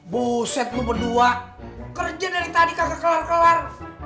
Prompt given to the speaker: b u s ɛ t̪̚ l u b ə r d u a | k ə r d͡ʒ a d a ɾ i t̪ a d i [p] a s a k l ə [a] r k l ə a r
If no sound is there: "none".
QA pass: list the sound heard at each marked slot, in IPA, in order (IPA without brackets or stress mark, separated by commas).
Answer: k, a